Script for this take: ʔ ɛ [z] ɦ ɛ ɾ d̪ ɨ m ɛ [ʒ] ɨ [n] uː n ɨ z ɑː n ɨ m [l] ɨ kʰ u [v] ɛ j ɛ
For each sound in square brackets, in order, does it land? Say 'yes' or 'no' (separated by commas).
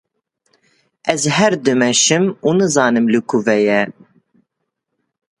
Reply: yes, no, no, yes, yes